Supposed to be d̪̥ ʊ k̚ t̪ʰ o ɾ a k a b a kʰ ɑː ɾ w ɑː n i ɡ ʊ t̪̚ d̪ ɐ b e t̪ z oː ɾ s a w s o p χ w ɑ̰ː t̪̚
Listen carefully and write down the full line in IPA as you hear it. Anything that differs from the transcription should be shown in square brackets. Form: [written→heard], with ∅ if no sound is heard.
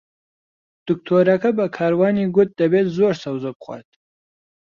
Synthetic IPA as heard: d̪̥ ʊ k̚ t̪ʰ o ɾ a k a b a kʰ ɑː ɾ w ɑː n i ɡ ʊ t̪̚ d̪ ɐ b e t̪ z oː ɾ s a w [s→z] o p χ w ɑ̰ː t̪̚